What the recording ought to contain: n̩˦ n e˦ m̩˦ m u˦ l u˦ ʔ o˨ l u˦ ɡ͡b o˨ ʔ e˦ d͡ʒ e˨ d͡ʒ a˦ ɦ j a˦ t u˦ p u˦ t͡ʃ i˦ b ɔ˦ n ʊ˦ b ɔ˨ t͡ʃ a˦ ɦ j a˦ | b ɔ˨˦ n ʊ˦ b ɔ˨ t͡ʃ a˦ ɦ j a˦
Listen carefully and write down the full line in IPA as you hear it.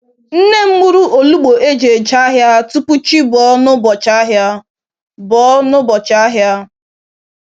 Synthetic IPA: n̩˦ n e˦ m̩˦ m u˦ ɾ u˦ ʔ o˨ l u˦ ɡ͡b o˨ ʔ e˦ d͡ʒ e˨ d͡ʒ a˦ ɦ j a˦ t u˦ p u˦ t͡ʃ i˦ b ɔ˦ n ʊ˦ b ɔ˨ t͡ʃ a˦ ɦ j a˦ | b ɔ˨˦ n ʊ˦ b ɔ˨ t͡ʃ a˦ ɦ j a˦